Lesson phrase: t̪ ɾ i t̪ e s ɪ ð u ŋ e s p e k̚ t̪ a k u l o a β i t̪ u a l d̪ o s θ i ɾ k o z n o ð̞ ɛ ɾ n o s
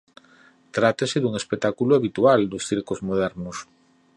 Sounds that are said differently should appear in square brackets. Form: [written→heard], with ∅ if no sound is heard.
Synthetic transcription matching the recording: t̪ ɾ [i→a] t̪ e s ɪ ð u ŋ e s p e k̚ t̪ a k u l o a β i t̪ u a l d̪ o s θ i ɾ k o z [n→m] o ð̞ ɛ ɾ n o s